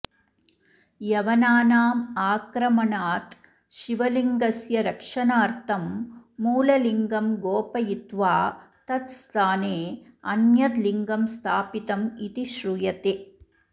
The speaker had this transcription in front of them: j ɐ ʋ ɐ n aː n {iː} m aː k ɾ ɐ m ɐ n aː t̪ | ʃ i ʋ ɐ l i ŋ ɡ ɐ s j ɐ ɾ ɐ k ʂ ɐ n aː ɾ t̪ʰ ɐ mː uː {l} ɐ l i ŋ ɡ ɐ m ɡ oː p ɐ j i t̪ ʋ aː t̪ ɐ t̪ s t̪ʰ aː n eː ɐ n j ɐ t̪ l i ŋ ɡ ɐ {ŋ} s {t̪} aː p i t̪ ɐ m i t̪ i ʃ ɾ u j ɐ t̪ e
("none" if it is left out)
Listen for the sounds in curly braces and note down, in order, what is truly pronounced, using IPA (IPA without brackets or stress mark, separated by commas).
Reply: aː, l, m, t̪ʰ